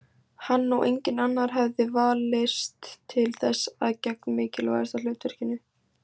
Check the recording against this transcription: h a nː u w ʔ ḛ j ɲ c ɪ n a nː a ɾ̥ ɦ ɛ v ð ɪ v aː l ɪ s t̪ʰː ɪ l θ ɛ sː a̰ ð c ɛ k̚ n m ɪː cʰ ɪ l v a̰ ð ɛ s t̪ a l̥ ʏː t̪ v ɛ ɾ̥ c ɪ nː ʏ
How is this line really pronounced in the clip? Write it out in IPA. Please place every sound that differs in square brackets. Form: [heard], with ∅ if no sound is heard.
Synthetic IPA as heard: h a nː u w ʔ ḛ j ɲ c ɪ n a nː a ɾ̥ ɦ ɛ v ð ɪ v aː l ɪ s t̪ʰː ɪ l θ ɛ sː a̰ ð c ɛ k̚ n m ɪː [c] ɪ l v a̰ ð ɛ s t̪ a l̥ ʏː t̪ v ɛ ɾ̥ c ɪ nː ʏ